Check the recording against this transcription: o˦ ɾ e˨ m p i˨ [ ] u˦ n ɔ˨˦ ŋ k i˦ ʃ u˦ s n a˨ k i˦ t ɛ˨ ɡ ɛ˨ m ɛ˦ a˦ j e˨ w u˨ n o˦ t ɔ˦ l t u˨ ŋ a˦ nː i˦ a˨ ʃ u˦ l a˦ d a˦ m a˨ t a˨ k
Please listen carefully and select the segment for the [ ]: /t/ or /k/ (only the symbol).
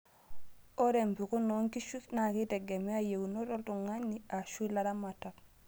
k